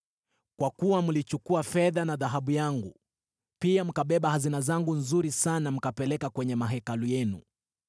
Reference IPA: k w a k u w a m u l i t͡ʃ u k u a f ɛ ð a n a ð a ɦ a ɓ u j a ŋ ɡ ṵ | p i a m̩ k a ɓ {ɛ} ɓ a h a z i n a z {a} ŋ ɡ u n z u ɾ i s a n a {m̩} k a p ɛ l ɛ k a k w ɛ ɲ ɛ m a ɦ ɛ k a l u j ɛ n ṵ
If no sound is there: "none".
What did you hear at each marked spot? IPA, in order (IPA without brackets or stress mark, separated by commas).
ɛ, a, m̩